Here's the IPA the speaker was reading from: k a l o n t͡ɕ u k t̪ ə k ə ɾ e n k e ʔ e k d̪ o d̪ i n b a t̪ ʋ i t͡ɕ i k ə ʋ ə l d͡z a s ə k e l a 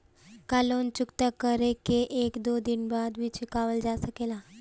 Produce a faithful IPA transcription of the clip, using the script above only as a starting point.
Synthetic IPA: k a l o n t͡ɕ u k t̪ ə k ə ɾ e k e ʔ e k d̪ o d̪ i n b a d̪ ʋ i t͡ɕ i k a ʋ ə l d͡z a s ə k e l a